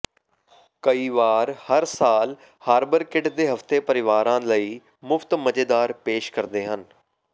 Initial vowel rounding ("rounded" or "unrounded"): unrounded